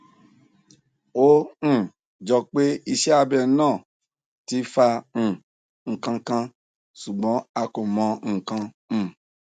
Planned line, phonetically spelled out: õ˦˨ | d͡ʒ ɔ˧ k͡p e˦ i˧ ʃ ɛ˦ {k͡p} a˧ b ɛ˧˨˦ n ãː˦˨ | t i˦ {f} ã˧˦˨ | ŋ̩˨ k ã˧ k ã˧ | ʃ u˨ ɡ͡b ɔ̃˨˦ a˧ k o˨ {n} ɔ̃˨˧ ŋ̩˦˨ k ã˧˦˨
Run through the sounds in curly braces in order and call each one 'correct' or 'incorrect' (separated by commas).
incorrect, correct, incorrect